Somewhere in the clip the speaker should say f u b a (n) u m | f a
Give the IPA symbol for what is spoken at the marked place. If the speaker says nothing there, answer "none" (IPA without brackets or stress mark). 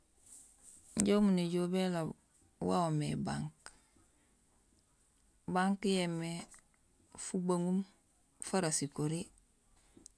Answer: ŋ